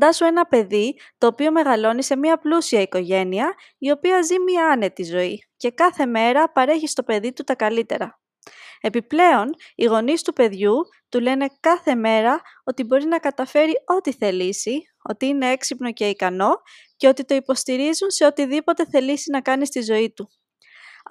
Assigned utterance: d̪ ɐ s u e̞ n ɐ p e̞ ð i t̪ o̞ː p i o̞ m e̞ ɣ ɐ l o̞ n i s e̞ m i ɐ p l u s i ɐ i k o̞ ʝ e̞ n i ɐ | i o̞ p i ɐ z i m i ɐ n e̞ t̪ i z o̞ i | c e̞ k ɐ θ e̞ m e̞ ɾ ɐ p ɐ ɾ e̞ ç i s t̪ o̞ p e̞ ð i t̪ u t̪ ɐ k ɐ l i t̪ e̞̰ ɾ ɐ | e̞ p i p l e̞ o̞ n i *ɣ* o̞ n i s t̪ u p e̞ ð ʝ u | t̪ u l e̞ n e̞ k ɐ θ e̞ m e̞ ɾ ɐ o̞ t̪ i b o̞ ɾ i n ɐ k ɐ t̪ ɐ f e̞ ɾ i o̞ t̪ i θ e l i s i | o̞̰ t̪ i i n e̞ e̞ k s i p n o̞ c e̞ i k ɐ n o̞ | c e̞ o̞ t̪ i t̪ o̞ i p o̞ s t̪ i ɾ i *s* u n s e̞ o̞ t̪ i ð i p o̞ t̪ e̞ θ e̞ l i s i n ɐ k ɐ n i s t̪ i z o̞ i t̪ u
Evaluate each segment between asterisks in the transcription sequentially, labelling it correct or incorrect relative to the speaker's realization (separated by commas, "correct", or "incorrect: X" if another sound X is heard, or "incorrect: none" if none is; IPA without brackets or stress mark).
correct, incorrect: z